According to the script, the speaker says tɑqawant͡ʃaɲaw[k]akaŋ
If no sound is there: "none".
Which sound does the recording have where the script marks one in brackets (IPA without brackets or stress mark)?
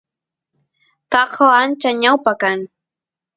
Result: p